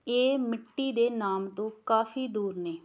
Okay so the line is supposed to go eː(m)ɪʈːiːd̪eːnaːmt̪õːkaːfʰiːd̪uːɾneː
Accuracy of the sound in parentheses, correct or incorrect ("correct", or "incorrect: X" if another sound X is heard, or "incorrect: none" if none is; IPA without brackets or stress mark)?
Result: correct